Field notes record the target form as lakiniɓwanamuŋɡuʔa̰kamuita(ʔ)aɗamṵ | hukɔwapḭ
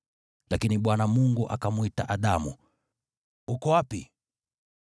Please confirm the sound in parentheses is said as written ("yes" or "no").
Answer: yes